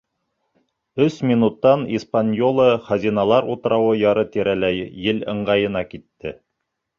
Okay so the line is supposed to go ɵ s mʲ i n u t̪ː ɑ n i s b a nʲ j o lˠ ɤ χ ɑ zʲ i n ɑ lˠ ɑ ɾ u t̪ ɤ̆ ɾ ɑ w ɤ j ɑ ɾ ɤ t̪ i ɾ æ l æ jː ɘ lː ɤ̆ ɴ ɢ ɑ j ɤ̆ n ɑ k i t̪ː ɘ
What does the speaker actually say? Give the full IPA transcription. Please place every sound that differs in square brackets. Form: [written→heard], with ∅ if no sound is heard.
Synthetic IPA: ɵ s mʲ i n u t̪ː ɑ n i s [b→p] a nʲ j o lˠ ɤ χ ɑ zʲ i n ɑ lˠ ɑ ɾ u t̪ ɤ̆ ɾ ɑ w ɤ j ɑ ɾ ɤ t̪ i ɾ æ l æ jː ɘ [lː→l] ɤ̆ ɴ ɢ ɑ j ɤ̆ n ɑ k i t̪ː ɘ